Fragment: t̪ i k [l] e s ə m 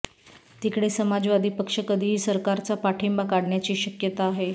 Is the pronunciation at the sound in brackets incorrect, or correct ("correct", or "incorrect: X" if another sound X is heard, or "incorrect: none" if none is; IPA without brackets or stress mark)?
incorrect: ɽ